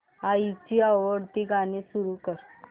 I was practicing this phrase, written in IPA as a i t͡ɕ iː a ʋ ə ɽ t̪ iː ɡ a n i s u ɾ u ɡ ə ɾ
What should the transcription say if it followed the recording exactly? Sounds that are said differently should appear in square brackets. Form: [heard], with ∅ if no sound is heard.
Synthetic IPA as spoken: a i t͡ɕ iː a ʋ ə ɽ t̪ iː ɡ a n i s u ɾ u [k] ə ɾ